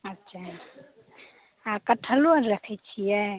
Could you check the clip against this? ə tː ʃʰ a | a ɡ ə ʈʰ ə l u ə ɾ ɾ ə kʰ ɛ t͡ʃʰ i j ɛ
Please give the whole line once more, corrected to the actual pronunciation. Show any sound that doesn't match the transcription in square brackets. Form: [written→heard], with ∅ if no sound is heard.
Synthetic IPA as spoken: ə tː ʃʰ a | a [ɡ→k] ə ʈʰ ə l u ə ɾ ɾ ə kʰ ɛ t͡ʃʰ i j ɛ